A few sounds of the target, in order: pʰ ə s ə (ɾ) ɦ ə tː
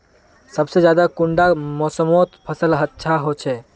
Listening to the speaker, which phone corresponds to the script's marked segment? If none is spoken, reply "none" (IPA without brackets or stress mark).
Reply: l